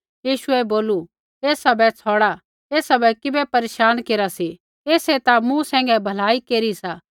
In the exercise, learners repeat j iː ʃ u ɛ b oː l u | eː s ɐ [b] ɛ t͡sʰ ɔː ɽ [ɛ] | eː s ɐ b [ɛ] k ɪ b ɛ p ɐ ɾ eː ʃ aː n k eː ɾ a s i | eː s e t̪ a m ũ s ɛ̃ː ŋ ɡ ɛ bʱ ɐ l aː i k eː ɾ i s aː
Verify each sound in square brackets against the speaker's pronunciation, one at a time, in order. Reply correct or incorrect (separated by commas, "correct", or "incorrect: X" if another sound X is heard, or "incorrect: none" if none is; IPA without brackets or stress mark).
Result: correct, incorrect: a, correct